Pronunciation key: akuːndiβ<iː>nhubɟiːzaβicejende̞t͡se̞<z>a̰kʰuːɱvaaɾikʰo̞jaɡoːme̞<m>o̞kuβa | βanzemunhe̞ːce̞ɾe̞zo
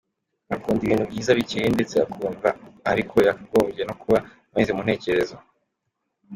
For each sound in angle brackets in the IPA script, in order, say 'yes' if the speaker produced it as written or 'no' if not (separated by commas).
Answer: yes, no, no